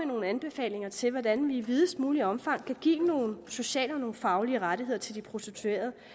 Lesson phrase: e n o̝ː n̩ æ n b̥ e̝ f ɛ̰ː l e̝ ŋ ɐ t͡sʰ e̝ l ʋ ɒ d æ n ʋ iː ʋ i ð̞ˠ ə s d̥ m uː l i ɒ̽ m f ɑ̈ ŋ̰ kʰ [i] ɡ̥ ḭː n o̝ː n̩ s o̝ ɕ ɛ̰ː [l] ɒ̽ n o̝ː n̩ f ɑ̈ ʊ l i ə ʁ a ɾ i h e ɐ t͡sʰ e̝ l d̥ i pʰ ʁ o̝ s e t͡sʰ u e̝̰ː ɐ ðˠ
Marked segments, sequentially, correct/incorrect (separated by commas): incorrect, correct